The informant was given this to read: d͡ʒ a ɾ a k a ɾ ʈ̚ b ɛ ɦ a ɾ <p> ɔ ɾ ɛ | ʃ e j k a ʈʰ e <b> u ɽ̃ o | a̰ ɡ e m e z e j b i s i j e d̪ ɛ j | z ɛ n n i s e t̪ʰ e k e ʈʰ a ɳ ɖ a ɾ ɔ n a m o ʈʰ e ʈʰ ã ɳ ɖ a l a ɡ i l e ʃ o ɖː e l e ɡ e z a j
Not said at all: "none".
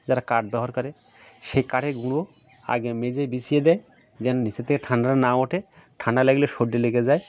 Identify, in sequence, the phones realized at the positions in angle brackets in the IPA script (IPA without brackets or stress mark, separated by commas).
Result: k, ɡ